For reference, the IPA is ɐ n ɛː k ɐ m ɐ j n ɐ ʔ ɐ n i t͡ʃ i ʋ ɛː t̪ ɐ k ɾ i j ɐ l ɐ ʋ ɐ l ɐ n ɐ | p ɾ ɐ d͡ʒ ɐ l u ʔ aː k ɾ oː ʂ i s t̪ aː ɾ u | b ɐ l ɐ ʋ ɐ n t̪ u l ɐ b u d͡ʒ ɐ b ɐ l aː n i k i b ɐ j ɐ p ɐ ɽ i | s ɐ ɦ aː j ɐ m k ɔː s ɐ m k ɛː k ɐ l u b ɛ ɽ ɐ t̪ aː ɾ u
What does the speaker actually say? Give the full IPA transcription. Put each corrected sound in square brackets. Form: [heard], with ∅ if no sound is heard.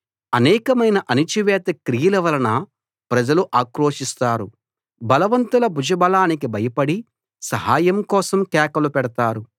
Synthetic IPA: ɐ n ɛː k ɐ m ɐ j n ɐ ʔ ɐ n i t͡ʃ i ʋ ɛː t̪ ɐ k ɾ i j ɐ l ɐ ʋ ɐ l ɐ n ɐ | p ɾ ɐ d͡ʒ ɐ l u ʔ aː k ɾ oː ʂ i s t̪ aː ɾ u | b ɐ l ɐ ʋ ɐ n t̪ u l ɐ b u d͡ʒ ɐ b ɐ l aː n i k i b ɐ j ɐ p ɐ ɽ i | s ɐ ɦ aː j ɐ m k ɔː s ɐ m k ɛː k ɐ l u [p] ɛ ɽ ɐ t̪ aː ɾ u